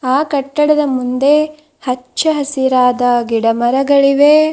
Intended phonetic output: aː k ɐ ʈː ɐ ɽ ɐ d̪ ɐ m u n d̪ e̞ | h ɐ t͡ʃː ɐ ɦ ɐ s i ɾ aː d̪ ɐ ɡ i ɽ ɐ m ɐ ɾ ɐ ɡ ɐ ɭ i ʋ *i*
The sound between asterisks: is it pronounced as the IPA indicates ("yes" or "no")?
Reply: no